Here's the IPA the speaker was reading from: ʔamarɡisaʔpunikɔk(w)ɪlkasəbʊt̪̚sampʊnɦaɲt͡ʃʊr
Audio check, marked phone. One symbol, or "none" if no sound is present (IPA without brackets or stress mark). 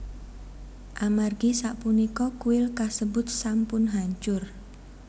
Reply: u